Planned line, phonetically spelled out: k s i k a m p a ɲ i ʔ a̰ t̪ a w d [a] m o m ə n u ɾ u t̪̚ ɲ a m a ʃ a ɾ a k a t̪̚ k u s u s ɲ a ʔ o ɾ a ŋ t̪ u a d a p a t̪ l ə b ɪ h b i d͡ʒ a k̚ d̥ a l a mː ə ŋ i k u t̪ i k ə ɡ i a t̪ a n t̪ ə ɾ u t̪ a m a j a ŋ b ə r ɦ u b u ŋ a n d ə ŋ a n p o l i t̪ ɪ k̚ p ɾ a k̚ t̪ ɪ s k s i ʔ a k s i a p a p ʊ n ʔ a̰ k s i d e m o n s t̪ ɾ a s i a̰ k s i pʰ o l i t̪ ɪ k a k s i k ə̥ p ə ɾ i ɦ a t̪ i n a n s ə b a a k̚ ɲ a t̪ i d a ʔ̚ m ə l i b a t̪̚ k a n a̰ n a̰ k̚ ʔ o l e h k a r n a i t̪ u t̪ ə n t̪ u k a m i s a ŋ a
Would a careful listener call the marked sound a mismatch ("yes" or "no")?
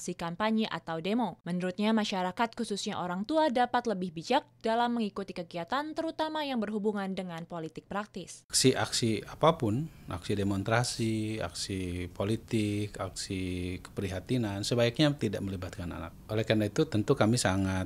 yes